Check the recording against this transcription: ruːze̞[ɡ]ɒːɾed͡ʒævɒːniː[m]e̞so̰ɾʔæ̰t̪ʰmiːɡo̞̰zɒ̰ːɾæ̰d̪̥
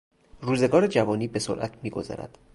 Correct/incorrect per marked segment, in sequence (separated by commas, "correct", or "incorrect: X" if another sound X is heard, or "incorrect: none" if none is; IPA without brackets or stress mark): correct, incorrect: b